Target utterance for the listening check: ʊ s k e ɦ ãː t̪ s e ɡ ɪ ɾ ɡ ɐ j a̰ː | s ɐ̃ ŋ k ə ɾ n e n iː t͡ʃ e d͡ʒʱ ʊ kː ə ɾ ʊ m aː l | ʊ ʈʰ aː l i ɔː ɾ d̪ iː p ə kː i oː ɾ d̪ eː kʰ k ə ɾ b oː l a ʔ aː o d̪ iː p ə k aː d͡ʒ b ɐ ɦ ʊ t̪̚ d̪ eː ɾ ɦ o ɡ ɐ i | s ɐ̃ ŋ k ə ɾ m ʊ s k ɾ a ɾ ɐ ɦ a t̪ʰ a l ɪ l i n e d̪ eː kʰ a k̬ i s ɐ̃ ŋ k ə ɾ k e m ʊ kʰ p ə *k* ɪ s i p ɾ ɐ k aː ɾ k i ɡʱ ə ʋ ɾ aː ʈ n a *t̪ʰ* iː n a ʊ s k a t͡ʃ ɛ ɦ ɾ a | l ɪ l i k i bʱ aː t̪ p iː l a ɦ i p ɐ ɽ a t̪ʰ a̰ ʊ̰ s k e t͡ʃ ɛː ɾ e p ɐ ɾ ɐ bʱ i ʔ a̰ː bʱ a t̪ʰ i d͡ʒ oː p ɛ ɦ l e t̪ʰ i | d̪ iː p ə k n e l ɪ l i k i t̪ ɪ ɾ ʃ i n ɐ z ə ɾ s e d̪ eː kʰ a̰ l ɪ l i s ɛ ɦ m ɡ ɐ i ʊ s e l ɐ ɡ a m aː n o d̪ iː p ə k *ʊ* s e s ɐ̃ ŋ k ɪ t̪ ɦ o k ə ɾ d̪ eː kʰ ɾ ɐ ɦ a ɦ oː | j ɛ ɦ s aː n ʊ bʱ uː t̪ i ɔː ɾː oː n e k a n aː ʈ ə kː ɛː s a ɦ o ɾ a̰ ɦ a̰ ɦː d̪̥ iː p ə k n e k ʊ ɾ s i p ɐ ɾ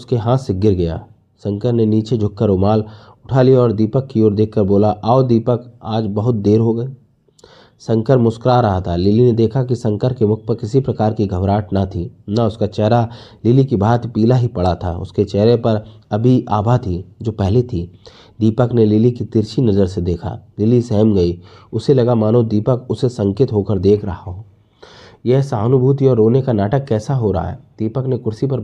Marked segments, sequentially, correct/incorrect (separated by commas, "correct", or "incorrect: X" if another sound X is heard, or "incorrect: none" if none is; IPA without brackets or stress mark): correct, correct, correct